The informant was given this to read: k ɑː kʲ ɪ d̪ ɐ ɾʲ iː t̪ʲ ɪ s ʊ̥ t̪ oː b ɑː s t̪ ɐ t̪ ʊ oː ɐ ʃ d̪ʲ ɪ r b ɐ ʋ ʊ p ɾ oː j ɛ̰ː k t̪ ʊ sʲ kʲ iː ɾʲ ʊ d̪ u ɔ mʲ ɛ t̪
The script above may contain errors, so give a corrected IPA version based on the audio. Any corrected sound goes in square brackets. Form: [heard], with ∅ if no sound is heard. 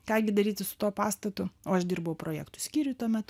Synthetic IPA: k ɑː [ɡʲ] ɪ d̪ ɐ ɾʲ iː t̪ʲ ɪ s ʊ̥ t̪ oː [p] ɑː s t̪ ɐ t̪ ʊ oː ɐ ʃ d̪ʲ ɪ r b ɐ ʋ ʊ p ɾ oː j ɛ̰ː k t̪ ʊ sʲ kʲ iː ɾʲ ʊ [t̪] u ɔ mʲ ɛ t̪

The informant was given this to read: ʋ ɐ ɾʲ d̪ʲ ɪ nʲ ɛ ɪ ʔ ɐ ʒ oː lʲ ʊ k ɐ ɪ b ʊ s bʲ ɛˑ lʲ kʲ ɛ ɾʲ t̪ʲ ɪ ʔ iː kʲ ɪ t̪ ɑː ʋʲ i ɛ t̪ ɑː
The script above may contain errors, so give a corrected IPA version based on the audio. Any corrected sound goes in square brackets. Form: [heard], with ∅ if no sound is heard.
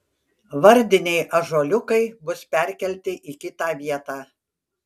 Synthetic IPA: ʋ ɐ ɾʲ d̪ʲ ɪ nʲ ɛ ɪ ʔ ɐ ʒ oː lʲ ʊ k ɐ ɪ b ʊ s [pʲ] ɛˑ [ɾʲ] kʲ ɛ [lʲ] t̪ʲ ɪ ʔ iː kʲ ɪ t̪ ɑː ʋʲ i ɛ t̪ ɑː

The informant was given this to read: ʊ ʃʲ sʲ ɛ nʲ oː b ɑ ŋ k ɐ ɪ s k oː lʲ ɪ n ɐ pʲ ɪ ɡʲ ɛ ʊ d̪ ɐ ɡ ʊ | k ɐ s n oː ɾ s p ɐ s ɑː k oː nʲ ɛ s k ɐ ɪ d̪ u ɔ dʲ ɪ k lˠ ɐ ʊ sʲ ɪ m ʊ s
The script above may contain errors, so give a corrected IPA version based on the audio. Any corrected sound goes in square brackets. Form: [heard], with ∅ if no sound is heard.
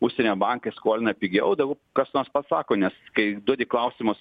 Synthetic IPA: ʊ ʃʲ sʲ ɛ nʲ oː b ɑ ŋ k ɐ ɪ s k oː lʲ ɪ n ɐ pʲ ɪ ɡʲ ɛ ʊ d̪ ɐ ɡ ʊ | k ɐ s n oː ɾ s p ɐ s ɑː k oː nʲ ɛ s k ɐ ɪ d̪ u ɔ dʲ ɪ k lˠ ɐ ʊ sʲ ɪ m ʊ s

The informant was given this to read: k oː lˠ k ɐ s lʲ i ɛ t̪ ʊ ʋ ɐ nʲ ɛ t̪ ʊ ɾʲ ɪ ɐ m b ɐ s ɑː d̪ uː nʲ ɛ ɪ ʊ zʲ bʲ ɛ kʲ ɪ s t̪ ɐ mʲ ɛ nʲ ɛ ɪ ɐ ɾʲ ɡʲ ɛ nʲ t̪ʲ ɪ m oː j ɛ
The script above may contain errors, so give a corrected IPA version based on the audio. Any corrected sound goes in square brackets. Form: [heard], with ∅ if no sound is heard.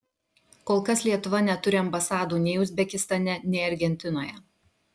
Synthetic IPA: k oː lˠ k ɐ s lʲ i ɛ t̪ ʊ ʋ ɐ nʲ ɛ t̪ ʊ ɾʲ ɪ ɐ m b ɐ s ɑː d̪ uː nʲ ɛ ɪ ʊ zʲ bʲ ɛ kʲ ɪ s t̪ ɐ [nʲ] ɛ nʲ ɛ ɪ ɐ ɾʲ ɡʲ ɛ nʲ t̪ʲ ɪ [n] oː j ɛ

